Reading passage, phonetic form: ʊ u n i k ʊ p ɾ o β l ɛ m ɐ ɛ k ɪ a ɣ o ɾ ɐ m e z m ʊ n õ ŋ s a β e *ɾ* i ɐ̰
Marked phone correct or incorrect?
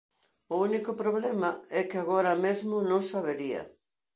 correct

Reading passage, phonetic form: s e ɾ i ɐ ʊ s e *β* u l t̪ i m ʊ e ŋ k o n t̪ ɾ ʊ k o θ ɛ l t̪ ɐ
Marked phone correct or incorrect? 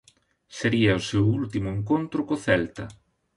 incorrect: w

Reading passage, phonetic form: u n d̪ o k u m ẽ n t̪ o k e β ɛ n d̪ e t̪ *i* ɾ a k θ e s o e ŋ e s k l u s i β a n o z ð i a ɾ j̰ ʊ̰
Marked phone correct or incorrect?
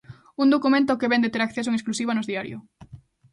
incorrect: e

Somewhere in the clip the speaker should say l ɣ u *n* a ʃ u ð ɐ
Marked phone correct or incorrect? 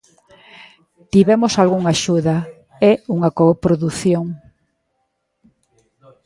incorrect: ŋ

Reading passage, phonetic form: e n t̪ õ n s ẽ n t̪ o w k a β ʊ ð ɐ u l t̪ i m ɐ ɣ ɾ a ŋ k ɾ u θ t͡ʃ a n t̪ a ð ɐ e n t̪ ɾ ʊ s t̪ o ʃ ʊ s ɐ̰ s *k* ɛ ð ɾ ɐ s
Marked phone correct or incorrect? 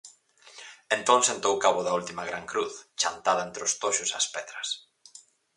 incorrect: p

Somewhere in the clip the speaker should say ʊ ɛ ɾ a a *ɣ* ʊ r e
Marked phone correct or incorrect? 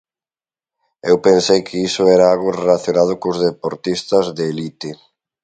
correct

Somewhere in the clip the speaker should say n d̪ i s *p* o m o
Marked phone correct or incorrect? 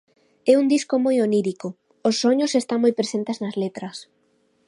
incorrect: k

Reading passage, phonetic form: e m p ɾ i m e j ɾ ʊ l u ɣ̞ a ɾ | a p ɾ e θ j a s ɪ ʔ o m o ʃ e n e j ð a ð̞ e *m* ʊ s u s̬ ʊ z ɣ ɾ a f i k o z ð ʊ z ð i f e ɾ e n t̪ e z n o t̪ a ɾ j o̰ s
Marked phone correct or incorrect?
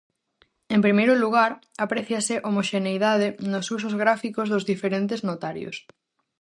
incorrect: n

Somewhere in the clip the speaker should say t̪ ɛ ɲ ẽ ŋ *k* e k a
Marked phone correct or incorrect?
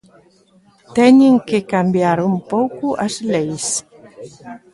correct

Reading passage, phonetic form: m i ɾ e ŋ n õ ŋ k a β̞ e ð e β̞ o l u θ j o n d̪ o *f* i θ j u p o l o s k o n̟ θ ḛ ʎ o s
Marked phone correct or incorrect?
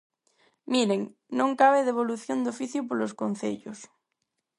correct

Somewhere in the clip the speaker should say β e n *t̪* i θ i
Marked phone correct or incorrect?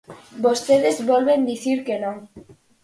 incorrect: d̪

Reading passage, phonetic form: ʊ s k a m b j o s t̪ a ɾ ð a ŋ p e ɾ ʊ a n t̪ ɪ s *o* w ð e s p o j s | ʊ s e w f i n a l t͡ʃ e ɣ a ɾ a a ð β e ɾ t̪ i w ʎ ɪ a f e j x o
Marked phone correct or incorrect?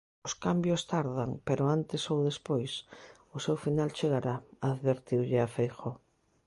correct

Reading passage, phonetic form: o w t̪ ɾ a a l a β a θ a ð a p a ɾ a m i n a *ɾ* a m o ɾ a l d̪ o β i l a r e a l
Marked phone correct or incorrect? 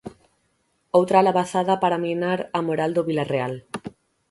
correct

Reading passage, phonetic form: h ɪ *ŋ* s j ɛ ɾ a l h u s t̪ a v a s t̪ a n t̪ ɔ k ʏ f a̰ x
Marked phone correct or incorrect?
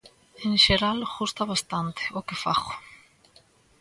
incorrect: n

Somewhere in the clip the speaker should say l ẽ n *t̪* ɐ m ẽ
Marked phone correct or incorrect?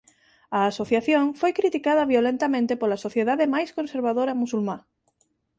correct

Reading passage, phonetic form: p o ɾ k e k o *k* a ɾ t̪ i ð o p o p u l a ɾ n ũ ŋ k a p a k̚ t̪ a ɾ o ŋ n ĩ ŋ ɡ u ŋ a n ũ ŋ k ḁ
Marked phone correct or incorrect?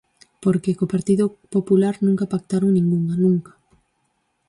incorrect: p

